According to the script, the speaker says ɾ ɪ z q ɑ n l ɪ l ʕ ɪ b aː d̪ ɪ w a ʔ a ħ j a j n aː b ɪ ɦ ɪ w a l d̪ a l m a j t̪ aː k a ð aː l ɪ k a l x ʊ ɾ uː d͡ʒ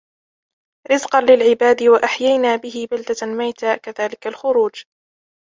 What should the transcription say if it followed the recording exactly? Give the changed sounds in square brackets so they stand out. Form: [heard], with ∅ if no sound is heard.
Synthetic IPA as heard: ɾ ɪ z q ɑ n l ɪ l ʕ ɪ b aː d̪ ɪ w a ʔ a ħ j a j n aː b ɪ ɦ ɪ [b] a l d̪ a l m a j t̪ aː k a ð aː l ɪ k a l x ʊ ɾ uː d͡ʒ